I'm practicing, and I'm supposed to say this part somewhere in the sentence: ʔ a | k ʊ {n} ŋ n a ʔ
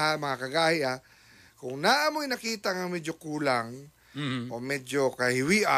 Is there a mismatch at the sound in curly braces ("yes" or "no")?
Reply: yes